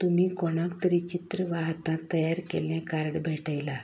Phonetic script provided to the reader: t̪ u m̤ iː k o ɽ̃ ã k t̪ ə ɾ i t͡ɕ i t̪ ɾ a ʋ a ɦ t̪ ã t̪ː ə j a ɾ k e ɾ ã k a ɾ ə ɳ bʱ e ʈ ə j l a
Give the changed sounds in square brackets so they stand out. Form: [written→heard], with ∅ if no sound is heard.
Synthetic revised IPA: t̪ u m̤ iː k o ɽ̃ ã k t̪ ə ɾ i t͡ɕ i t̪ ɾ [a→ə] ʋ a ɦ t̪ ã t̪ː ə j a ɾ k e [ɾ→l] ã k a ɾ ə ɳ bʱ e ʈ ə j l a